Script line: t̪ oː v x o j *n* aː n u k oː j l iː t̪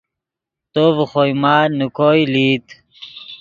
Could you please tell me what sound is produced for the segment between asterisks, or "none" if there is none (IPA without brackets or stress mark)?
m